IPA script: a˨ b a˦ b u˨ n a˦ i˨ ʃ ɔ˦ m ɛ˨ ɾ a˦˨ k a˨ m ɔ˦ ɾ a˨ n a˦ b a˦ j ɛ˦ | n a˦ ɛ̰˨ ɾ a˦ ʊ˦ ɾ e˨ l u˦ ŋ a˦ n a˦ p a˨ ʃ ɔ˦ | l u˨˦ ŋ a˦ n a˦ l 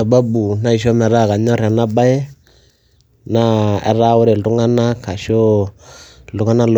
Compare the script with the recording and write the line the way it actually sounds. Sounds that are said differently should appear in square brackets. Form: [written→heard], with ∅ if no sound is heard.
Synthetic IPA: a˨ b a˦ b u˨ n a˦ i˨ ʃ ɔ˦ m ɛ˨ ɾ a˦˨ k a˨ [m→ɲ] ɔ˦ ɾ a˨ n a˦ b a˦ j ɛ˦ | n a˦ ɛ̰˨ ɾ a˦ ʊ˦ ɾ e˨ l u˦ ŋ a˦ n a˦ [p→k] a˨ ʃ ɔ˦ | l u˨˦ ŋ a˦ n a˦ l